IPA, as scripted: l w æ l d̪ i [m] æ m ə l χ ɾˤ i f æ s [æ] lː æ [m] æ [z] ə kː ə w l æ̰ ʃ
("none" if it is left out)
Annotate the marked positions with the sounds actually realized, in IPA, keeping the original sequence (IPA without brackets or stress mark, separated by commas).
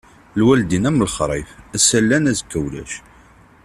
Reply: n, æ, n, z